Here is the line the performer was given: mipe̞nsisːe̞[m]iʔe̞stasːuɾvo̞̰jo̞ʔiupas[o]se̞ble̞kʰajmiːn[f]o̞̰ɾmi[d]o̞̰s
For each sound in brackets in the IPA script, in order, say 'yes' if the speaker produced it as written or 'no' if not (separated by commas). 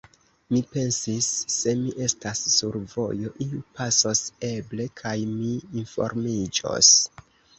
yes, yes, yes, no